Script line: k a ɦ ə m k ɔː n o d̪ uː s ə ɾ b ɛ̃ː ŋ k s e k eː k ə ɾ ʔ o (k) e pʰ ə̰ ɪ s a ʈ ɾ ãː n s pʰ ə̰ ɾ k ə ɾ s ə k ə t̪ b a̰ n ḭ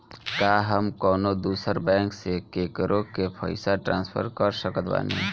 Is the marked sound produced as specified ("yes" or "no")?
yes